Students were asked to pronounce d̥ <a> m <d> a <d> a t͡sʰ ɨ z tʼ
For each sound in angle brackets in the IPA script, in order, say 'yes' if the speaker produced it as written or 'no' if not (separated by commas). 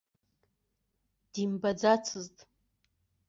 no, no, no